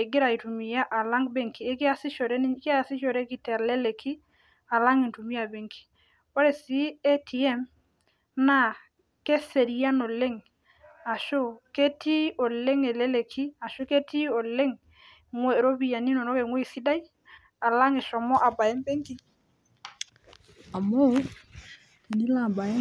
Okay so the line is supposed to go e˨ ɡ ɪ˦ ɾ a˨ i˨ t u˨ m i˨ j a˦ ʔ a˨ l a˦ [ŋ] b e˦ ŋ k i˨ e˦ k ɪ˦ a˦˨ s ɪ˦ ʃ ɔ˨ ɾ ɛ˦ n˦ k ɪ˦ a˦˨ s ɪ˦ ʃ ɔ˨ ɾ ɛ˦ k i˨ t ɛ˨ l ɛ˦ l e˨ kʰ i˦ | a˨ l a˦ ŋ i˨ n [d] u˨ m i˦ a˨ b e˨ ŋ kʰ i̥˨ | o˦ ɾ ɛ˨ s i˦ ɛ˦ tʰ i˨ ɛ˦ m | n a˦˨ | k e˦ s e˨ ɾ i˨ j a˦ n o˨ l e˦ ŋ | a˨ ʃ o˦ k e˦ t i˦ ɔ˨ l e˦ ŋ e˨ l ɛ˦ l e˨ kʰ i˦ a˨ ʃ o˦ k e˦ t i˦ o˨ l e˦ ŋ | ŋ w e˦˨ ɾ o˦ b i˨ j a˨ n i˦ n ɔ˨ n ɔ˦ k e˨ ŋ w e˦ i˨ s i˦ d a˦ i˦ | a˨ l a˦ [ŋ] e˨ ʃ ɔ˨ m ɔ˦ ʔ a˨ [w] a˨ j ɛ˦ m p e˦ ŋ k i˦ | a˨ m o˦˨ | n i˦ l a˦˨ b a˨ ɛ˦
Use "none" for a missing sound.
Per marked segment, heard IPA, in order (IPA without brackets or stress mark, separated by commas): ŋ, t, ŋ, b